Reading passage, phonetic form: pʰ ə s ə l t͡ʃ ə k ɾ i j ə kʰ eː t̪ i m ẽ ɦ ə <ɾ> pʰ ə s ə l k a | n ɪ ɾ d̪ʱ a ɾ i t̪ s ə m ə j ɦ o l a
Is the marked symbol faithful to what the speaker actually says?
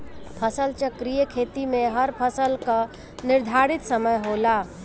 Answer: yes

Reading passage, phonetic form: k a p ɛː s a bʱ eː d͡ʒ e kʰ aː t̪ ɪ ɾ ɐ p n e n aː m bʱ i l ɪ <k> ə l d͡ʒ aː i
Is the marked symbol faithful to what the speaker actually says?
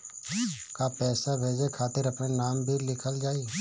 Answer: no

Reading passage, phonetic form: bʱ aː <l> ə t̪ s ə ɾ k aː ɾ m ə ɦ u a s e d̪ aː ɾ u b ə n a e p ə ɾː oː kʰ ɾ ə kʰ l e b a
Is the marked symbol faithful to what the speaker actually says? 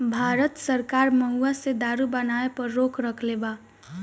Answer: no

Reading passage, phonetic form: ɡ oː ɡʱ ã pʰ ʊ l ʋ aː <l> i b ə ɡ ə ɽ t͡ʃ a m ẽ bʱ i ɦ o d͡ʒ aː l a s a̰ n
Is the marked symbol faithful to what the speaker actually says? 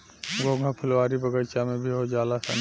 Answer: no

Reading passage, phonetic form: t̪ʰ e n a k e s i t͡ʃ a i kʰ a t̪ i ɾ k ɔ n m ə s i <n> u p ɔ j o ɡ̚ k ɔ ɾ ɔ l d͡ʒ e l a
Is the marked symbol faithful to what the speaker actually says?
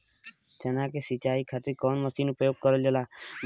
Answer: yes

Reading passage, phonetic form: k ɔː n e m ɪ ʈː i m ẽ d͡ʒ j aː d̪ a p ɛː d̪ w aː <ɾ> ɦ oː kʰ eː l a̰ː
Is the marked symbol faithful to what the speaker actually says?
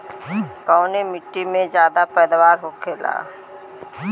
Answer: yes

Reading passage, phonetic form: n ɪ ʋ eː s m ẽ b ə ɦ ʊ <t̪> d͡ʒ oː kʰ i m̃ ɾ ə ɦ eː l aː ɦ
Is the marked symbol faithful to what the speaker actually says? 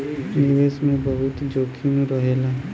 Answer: yes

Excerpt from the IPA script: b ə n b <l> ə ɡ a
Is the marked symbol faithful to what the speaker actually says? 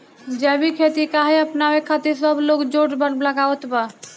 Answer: yes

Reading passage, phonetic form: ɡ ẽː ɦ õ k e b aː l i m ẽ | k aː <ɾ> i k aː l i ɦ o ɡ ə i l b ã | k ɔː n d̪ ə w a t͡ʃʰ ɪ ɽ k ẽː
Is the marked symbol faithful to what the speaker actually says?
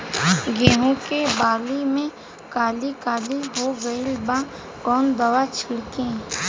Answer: no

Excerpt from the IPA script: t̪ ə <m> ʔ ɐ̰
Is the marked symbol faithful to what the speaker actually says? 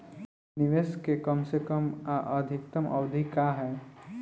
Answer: yes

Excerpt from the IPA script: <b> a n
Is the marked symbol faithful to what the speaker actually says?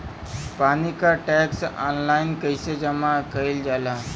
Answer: no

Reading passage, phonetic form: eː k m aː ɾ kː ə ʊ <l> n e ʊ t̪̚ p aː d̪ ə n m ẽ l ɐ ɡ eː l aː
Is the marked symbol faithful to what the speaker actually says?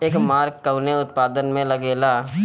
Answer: no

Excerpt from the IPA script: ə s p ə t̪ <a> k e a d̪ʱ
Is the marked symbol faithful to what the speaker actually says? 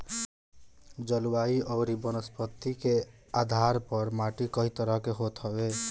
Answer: no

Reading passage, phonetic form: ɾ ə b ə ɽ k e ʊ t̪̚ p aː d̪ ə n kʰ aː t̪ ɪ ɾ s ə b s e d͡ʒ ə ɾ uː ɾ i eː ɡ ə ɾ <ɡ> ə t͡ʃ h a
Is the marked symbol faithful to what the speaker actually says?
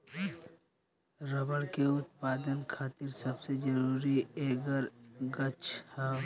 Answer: yes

